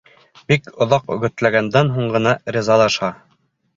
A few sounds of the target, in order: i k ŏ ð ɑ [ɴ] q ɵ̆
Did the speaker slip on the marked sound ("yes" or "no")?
yes